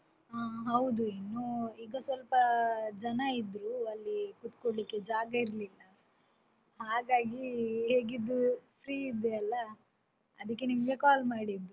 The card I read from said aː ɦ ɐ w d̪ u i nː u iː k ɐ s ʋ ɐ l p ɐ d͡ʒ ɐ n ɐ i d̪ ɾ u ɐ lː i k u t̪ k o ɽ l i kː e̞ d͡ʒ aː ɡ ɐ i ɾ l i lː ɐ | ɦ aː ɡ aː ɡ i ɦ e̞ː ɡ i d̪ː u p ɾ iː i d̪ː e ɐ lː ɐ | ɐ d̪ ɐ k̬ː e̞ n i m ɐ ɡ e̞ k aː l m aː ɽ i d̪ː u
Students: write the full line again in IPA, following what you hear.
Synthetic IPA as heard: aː ɦ ɐ w d̪ u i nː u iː ɡ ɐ s ʋ ɐ l p ɐ d͡ʒ ɐ n ɐ i d̪ ɾ u ɐ lː i k u t̪ k o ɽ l i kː e̞ d͡ʒ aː ɡ ɐ i ɾ l i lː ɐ | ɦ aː ɡ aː ɡ i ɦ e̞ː ɡ i d̪ː u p ɾ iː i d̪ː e ɐ lː ɐ | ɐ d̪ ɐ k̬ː e̞ n i m ɐ ɡ e̞ k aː l m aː ɽ i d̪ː u

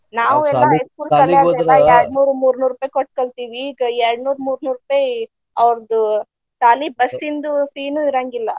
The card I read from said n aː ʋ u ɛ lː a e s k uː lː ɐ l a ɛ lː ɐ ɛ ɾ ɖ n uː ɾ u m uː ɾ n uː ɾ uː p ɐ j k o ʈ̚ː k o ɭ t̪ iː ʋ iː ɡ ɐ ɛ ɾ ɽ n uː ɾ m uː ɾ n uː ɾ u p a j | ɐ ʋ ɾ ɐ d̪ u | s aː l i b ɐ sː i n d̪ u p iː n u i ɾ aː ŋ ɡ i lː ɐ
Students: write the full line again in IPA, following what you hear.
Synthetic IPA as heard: n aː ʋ u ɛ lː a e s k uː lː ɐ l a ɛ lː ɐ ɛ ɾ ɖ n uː ɾ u m uː ɾ n uː ɾ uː p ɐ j k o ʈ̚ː k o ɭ t̪ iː ʋ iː ɡ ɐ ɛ ɾ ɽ n uː ɾ m uː ɾ n uː ɾ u p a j | ɐ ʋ ɾ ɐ d̪ u | s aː l i b ɐ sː i n d̪ u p iː n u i ɾ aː ŋ ɡ i lː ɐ

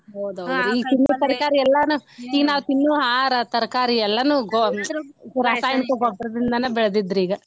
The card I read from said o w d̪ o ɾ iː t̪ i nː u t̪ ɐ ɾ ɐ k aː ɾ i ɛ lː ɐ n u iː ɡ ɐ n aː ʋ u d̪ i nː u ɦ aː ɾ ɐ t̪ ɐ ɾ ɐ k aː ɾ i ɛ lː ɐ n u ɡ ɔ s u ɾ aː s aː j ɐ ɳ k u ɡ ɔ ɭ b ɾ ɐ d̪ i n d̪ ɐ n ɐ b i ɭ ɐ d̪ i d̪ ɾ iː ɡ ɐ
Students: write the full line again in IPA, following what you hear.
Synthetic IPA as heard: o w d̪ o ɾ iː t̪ i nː u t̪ ɐ ɾ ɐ k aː ɾ i ɛ lː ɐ n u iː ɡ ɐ n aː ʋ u t̪ i nː u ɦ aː ɾ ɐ t̪ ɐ ɾ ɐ k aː ɾ i ɛ lː ɐ n u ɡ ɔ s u ɾ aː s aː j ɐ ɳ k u ɡ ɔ b ɾ ɐ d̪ i n d̪ ɐ n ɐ b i ɭ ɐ d̪ i d̪ ɾ iː ɡ ɐ

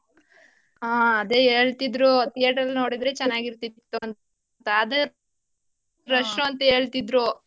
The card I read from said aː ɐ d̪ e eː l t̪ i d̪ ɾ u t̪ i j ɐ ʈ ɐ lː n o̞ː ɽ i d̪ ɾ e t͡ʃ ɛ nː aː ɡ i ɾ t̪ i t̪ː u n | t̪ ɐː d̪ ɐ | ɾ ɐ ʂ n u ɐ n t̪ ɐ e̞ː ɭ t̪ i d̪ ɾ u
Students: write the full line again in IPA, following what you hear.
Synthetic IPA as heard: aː ɐ d̪ e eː ɭ t̪ i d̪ ɾ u t̪ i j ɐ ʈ ɐ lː n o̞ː ɽ i d̪ ɾ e t͡ʃ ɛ nː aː ɡ i ɾ t̪ i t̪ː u n | t̪ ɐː d̪ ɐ | ɾ ɐ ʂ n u ɐ n t̪ ɐ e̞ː ɭ t̪ i d̪ ɾ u

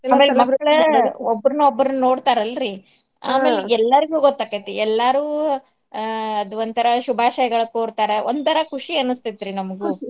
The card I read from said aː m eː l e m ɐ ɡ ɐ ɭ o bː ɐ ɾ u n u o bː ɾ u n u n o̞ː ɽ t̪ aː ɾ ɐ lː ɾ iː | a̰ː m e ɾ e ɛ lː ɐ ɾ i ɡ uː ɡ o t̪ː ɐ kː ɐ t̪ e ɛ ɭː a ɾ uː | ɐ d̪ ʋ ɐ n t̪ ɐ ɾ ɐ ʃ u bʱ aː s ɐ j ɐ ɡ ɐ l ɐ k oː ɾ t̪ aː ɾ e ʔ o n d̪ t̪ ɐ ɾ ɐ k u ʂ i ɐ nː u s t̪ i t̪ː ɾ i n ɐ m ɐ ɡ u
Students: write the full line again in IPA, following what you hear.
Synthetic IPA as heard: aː m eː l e m ɐ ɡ ɐ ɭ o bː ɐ ɾ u n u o bː ɾ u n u n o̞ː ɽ t̪ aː ɾ ɐ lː ɾ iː | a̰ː m e l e ɛ lː ɐ ɾ i ɡ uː ɡ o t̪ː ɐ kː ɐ t̪ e ɛ lː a ɾ uː | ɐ d̪ ʋ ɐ n t̪ ɐ ɾ ɐ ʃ u bʱ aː ʃ ɐ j ɐ ɡ ɐ ɭ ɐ k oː ɾ t̪ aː ɾ e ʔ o n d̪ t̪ ɐ ɾ ɐ k u ʂ i ɐ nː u s t̪ i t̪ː ɾ i n ɐ m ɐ ɡ u

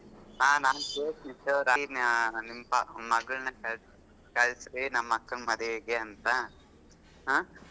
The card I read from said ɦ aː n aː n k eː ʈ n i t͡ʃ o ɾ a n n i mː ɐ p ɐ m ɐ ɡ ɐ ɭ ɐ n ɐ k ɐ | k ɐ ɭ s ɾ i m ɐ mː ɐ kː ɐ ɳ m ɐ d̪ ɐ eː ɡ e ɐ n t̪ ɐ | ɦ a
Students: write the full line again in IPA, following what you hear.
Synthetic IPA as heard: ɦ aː n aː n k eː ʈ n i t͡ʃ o ɾ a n n i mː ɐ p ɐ m ɐ ɡ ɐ ɭ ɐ n ɐ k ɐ | k ɐ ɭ s ɾ i n ɐ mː ɐ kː ɐ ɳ m ɐ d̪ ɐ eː ɡ e ɐ n t̪ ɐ | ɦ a

